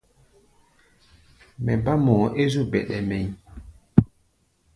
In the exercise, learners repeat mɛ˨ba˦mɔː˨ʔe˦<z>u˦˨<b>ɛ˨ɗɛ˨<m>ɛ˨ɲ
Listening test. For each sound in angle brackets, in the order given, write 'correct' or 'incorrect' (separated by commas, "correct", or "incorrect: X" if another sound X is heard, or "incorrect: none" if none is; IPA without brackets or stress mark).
correct, correct, correct